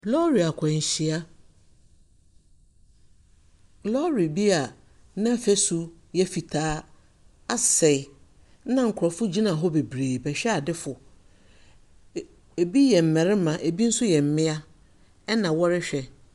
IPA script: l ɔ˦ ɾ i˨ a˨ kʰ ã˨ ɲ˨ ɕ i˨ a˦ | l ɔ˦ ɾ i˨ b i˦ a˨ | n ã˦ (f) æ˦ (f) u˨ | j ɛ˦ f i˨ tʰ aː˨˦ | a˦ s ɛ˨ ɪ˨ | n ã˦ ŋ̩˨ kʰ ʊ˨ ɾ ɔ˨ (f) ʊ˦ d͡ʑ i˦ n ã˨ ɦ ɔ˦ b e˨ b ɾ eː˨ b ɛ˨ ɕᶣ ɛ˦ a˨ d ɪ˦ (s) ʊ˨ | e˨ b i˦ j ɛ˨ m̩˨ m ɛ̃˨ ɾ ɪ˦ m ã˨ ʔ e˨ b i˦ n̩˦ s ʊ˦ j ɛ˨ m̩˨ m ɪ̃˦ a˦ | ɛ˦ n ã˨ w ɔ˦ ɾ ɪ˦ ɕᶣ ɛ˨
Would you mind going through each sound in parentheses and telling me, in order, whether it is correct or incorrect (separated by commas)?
correct, incorrect, correct, incorrect